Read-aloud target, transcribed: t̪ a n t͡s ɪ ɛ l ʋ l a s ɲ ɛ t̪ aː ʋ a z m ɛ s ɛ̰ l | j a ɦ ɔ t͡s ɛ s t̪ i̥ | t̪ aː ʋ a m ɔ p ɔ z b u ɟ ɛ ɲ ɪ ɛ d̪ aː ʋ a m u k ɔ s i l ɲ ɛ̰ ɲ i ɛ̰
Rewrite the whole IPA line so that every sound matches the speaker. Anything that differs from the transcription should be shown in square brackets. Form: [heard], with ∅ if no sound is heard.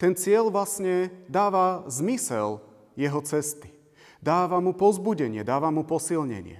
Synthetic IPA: t̪ [ɛ] n t͡s ɪ ɛ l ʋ l a s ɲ ɛ [d̪] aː ʋ a z m [i] s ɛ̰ l | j [ɛ] ɦ ɔ t͡s ɛ s t̪ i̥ | [d̪] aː ʋ a m [u] p ɔ z b u ɟ ɛ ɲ ɪ ɛ d̪ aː ʋ a m u [p] ɔ s i l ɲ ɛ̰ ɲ [ɪ] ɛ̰